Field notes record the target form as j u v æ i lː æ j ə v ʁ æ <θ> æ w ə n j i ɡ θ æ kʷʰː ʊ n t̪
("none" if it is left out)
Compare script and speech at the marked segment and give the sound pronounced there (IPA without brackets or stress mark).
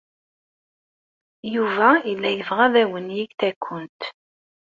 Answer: ð